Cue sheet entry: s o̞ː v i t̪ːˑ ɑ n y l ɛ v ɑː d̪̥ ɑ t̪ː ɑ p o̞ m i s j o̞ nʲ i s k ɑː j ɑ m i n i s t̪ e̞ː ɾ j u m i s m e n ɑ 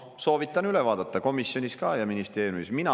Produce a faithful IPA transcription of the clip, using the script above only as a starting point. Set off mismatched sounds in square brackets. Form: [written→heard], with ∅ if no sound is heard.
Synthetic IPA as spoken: s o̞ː v i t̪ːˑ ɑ n y l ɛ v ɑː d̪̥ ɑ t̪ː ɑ [p→k] o̞ m i s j o̞ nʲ i s k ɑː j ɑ m i n i s t̪ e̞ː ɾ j u m i s m [e→i] n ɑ